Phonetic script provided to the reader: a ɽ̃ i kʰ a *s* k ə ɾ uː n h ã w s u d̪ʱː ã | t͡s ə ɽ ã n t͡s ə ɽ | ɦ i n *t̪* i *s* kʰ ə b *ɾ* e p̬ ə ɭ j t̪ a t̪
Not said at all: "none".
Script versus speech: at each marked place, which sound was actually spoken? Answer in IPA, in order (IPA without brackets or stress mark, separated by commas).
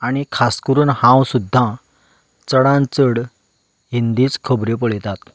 s, d̪, t͡s, ɾ